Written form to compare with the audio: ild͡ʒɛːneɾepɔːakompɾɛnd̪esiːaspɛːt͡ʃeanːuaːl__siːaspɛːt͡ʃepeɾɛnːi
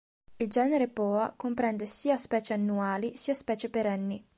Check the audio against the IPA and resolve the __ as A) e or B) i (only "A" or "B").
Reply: B